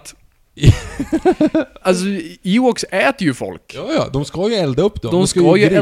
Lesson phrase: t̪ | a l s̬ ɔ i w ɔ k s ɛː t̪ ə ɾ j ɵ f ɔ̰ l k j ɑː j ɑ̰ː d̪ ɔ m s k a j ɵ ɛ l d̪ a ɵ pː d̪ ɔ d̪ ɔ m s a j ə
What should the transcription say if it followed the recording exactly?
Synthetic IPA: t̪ | a l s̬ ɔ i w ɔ k s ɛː t̪ ə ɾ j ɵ f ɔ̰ l k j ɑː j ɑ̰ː d̪ ɔ m s k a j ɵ ɛ l d̪ a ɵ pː d̪ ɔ d̪ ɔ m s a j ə